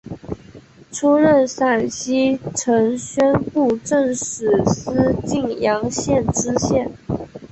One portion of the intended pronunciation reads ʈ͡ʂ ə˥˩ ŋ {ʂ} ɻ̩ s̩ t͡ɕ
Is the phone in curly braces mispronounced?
no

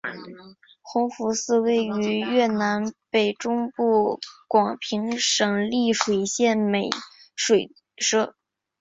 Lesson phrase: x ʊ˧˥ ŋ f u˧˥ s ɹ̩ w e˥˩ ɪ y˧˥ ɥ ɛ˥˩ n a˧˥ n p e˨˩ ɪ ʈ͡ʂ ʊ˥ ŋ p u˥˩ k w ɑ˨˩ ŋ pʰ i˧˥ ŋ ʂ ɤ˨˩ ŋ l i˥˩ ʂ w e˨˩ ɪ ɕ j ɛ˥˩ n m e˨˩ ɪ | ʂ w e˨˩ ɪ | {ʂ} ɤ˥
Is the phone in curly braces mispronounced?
no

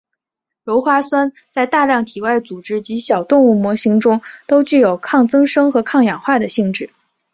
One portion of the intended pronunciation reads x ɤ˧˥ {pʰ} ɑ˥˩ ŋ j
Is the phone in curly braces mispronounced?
yes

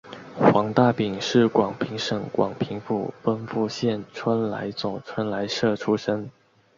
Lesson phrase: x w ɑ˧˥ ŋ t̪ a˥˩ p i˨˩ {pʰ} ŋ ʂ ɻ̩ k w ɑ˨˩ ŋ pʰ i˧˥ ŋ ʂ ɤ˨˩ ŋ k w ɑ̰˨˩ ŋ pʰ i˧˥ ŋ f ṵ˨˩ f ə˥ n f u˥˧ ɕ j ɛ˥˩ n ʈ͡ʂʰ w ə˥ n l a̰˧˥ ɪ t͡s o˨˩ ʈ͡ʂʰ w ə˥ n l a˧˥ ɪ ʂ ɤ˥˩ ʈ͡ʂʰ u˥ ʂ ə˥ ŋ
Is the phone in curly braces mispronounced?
yes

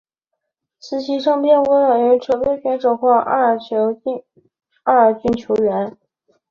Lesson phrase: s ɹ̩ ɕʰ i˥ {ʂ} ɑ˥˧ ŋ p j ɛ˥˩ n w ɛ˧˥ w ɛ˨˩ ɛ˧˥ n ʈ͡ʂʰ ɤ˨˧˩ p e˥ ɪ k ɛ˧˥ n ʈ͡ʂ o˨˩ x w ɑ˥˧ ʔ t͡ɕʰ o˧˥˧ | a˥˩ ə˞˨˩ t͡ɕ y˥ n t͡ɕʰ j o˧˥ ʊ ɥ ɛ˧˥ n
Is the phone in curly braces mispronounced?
no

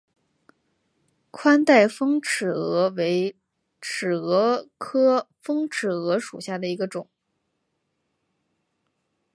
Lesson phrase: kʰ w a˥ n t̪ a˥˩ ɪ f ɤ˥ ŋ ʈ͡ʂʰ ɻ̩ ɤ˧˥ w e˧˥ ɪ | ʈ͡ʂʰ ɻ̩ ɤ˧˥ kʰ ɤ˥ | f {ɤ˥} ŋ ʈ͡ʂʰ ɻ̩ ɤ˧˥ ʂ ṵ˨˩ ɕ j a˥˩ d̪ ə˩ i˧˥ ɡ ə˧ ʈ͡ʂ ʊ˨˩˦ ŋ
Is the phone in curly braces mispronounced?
no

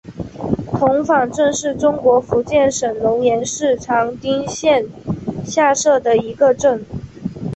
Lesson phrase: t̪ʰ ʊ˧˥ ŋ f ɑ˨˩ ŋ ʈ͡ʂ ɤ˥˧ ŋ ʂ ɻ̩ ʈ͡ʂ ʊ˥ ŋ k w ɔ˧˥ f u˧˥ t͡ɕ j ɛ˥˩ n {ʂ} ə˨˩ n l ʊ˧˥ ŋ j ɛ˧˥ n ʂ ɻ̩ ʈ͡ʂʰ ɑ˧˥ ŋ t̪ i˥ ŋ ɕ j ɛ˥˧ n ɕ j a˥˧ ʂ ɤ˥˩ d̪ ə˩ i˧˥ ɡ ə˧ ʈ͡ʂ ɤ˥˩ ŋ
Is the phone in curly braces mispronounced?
no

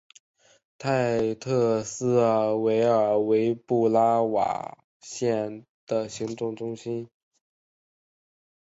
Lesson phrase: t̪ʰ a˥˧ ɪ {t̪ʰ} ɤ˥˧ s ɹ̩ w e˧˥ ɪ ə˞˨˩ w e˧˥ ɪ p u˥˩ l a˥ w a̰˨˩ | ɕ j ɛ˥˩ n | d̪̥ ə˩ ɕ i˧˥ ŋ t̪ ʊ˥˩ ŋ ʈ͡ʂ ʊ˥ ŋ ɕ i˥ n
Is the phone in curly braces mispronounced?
no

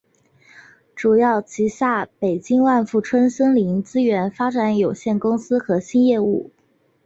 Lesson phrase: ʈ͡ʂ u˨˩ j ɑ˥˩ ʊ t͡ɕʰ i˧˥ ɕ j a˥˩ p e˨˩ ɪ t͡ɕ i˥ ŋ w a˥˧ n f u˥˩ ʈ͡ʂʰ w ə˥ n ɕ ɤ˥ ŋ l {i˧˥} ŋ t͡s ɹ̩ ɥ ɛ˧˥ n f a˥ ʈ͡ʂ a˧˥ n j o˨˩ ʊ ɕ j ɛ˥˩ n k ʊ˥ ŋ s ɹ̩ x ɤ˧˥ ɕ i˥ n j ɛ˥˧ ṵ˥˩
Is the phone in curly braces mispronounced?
no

